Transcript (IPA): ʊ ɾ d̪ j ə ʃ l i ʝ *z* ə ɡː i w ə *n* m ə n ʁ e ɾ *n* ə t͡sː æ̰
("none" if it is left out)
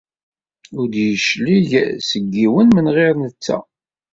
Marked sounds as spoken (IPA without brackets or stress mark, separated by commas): s, n, n